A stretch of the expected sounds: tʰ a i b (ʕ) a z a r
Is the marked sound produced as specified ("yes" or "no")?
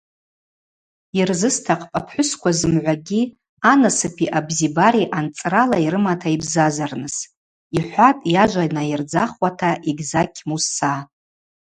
no